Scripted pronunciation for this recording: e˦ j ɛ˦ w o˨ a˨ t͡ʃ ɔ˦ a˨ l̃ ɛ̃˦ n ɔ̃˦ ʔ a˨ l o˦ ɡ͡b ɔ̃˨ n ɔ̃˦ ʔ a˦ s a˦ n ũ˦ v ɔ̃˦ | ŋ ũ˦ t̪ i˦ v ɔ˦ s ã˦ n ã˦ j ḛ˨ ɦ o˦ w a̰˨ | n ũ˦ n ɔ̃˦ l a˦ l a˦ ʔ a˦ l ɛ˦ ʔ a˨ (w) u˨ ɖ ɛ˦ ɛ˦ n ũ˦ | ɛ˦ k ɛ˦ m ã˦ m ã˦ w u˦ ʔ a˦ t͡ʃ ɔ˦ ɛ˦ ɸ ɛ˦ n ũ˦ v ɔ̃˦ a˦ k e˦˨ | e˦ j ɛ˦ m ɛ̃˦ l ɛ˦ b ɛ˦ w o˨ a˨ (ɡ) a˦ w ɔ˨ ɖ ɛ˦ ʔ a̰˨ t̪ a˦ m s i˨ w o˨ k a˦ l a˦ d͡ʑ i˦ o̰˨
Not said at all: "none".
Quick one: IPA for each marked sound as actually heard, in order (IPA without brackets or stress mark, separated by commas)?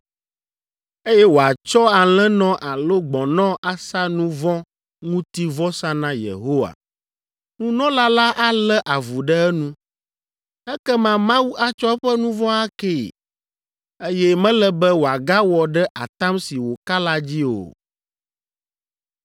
v, ɡ